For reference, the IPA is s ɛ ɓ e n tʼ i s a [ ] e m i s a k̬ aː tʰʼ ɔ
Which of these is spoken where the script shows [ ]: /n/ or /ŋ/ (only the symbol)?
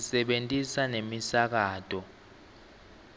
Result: n